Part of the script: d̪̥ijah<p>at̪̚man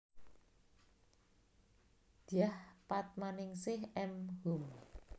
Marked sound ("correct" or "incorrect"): correct